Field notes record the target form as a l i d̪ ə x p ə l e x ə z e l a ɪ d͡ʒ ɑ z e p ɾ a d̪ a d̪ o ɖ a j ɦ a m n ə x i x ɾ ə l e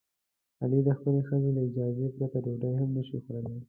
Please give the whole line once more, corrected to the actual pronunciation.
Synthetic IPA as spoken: a l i d̪ ə x p ə l e x ə z e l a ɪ d͡ʒ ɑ z e p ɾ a t̪ a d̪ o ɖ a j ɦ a m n ə ʃ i x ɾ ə l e